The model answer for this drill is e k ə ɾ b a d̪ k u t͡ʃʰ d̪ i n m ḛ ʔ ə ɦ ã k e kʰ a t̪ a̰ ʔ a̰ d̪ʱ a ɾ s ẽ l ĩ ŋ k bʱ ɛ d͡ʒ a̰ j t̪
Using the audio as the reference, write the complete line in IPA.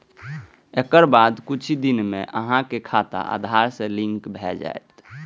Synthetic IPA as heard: e k ə ɾ b a d̪ k u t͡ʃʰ d̪ i n m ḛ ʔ ə ɦ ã k e kʰ a t̪ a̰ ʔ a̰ d̪ʱ a ɾ s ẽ l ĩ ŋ k bʱ ɛ d͡ʒ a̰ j t̪